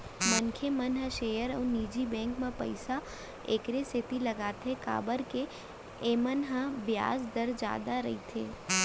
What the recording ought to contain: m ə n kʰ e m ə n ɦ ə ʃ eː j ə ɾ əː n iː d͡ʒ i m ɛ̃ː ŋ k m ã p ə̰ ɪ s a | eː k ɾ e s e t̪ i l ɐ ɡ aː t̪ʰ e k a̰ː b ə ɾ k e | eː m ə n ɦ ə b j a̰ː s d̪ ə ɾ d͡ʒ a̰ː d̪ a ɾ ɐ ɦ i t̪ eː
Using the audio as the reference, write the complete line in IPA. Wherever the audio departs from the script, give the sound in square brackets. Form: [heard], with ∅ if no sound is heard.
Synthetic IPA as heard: m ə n kʰ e m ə n ɦ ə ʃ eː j ə ɾ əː n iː d͡ʒ i [b] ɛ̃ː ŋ k m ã p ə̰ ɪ s a | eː k ɾ e s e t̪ i l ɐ ɡ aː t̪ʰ e k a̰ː b ə ɾ k e | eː m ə n ɦ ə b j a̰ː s d̪ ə ɾ d͡ʒ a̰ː d̪ a ɾ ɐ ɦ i [t̪ʰ] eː